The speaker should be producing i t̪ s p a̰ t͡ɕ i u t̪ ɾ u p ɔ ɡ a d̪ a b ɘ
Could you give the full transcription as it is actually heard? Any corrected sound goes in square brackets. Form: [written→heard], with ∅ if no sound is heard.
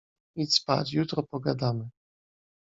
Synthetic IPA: i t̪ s p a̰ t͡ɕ [i→j] u t̪ ɾ [u→ɔ] p ɔ ɡ a d̪ a [b→m] ɘ